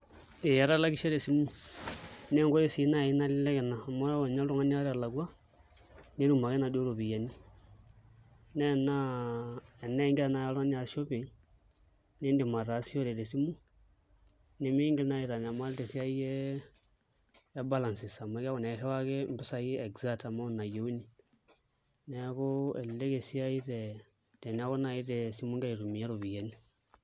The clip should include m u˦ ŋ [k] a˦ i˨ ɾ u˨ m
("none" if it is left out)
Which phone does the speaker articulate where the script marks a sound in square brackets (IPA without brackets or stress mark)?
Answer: ɡ